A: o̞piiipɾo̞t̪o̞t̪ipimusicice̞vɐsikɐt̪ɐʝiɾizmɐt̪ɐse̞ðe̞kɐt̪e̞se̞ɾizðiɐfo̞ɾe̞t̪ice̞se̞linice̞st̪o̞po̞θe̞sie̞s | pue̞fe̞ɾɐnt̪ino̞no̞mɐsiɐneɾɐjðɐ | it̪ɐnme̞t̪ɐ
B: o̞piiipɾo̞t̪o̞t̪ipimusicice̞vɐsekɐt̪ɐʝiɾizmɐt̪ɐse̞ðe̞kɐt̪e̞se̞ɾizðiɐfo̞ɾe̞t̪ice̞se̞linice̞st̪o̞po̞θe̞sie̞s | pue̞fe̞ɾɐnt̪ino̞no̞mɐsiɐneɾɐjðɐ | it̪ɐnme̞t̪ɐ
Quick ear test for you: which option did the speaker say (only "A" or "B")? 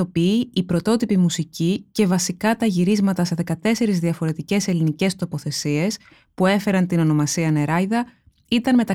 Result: A